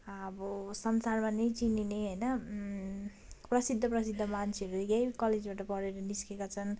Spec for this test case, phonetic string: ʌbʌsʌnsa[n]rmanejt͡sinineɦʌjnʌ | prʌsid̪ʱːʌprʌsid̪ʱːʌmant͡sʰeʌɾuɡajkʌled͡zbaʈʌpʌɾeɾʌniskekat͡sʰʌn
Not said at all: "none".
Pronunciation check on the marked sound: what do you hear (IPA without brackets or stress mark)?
none